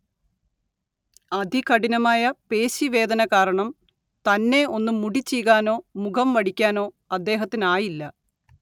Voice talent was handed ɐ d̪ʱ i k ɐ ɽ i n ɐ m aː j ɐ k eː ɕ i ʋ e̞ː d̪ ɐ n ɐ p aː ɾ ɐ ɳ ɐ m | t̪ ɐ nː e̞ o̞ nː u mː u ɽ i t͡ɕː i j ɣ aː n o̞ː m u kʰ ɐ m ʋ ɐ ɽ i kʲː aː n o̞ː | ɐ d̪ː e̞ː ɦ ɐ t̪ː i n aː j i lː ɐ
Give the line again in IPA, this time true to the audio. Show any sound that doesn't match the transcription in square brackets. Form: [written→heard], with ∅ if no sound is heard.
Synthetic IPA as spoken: ɐ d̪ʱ i k ɐ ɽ i n ɐ m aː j ɐ [k→p] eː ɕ i ʋ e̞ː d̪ ɐ n ɐ [p→k] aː ɾ ɐ ɳ ɐ m | t̪ ɐ nː e̞ o̞ nː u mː u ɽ i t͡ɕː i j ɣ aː n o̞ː m u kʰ ɐ m ʋ ɐ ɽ i kʲː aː n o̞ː | ɐ d̪ː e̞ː ɦ ɐ t̪ː i n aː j i lː ɐ